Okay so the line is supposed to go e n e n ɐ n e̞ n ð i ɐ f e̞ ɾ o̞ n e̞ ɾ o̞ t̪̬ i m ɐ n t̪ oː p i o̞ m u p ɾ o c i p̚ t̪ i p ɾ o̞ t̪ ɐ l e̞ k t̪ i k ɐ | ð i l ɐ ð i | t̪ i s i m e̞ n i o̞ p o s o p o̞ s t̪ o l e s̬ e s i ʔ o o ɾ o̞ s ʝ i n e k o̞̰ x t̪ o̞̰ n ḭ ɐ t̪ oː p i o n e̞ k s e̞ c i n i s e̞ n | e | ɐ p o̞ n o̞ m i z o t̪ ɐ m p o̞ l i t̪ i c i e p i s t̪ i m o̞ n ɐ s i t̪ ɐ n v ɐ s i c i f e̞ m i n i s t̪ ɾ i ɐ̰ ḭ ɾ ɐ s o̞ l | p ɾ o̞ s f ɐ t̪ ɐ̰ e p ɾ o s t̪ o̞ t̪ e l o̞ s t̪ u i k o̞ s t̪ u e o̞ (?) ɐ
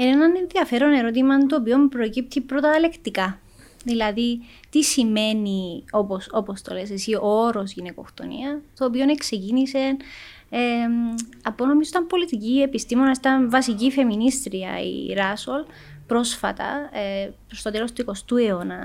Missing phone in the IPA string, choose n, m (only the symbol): n